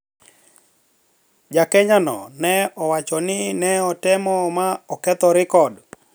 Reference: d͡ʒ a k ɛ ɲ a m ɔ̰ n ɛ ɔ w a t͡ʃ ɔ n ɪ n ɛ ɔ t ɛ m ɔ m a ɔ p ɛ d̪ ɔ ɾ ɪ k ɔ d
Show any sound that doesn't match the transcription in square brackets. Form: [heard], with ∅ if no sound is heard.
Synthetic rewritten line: d͡ʒ a k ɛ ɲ a [n] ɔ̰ n ɛ ɔ w a t͡ʃ ɔ n ɪ n ɛ ɔ t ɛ m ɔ m a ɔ [k] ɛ [t̪] ɔ ɾ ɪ k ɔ d

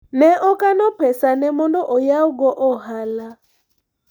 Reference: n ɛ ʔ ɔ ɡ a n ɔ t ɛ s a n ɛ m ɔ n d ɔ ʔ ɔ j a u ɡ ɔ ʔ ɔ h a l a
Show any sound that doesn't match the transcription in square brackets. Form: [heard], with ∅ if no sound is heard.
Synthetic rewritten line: n ɛ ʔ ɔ [k] a n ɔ [p] ɛ s a n ɛ m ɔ n d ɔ ʔ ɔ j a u ɡ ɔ ʔ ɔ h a l a

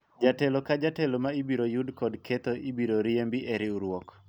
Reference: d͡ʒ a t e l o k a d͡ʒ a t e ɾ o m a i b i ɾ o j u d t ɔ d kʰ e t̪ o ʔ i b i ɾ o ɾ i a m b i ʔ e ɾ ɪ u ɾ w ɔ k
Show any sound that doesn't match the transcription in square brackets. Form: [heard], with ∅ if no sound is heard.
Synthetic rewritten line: d͡ʒ a t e l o k a d͡ʒ a t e [l] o m a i b i ɾ o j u d [k] ɔ d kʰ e t̪ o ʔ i b i ɾ o ɾ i [e] m b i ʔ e ɾ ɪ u ɾ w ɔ k

